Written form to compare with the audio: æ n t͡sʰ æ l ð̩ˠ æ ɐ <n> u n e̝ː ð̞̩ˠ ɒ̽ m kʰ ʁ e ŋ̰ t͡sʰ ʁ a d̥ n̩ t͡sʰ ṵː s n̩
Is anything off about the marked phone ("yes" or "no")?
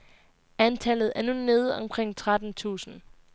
no